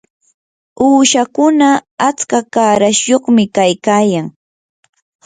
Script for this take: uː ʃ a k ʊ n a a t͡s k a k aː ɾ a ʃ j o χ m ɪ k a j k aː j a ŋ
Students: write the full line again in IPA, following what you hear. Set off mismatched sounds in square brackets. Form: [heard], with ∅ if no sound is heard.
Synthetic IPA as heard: uː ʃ a k ʊ n a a t͡s k a k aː ɾ a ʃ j o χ m ɪ k a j k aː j a ŋ